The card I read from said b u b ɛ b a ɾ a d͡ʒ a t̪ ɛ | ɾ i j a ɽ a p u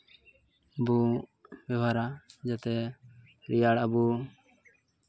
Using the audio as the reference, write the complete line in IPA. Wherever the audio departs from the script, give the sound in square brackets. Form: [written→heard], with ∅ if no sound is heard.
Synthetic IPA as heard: b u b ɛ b a ɾ a d͡ʒ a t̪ ɛ | ɾ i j a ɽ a [p→b] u